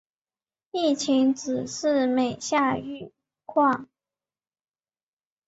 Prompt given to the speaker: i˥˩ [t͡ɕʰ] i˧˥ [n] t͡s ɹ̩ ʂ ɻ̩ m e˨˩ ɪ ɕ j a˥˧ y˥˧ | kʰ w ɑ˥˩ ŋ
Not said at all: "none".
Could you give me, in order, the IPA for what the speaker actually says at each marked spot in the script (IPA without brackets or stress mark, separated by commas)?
t͡ɕʰ, ŋ